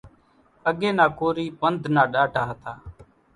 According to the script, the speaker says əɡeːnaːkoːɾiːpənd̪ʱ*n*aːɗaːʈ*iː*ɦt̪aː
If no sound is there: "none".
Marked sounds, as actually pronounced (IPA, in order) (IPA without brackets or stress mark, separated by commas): n, aː